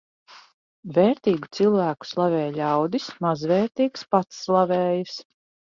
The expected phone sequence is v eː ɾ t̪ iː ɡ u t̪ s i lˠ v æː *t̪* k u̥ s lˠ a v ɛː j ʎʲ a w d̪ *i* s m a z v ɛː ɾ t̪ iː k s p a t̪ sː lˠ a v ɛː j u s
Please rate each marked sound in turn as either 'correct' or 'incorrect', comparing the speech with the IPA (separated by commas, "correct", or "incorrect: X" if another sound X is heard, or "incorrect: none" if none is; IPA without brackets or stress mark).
incorrect: none, correct